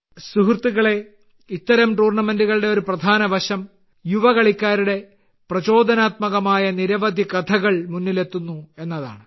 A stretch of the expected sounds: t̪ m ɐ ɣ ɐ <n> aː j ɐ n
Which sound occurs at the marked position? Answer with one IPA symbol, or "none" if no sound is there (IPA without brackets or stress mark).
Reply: m